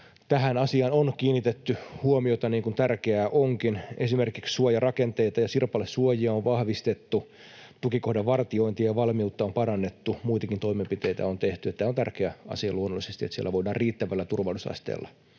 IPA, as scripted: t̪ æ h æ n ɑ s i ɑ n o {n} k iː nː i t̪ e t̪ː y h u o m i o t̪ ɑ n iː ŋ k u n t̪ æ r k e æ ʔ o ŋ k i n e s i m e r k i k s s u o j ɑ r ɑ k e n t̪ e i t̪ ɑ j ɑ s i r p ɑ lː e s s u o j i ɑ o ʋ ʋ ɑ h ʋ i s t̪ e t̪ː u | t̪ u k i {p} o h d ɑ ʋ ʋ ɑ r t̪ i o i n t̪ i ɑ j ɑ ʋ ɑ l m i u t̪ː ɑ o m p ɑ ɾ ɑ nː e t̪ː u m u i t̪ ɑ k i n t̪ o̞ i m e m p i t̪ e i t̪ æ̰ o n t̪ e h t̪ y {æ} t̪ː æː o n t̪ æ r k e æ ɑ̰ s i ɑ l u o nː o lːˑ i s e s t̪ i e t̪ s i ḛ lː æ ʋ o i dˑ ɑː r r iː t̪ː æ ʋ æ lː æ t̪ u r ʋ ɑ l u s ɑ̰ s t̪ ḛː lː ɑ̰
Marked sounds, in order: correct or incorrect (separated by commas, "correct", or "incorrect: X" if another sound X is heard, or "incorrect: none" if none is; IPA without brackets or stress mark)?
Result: correct, incorrect: k, incorrect: e